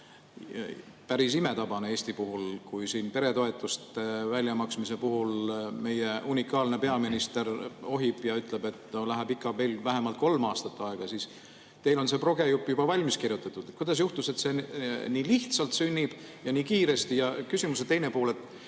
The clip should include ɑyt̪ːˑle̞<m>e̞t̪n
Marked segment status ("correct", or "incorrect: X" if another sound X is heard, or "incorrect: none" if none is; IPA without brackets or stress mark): incorrect: b